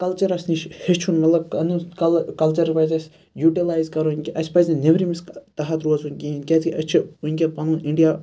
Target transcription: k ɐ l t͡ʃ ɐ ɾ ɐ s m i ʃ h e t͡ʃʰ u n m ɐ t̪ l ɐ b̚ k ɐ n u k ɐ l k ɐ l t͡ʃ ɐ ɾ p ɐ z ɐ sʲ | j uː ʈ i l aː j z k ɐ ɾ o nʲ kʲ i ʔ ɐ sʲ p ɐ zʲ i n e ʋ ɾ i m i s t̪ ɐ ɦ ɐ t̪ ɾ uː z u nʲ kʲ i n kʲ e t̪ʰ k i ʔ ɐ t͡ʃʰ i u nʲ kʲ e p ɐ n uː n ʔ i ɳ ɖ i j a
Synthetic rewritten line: k ɐ l t͡ʃ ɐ ɾ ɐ s n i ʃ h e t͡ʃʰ u n m ɐ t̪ l ɐ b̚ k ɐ n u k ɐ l k ɐ l t͡ʃ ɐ ɾ p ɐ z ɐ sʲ | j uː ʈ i l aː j z k ɐ ɾ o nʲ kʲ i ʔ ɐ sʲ p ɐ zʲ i n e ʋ ɾ i m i s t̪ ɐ ɦ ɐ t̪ ɾ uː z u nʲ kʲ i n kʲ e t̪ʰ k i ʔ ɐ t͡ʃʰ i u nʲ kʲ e p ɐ n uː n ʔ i ɳ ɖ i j a